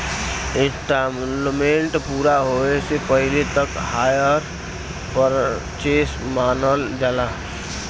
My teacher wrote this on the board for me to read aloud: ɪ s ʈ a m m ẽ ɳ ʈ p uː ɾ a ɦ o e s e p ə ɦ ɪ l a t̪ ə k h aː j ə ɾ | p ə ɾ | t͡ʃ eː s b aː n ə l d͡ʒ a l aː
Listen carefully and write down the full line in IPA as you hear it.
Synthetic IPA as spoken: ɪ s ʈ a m m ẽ ɳ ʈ p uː ɾ a ɦ o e s e p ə ɦ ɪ l e t̪ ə k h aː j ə ɾ | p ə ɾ | t͡ʃ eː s m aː n ə l d͡ʒ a l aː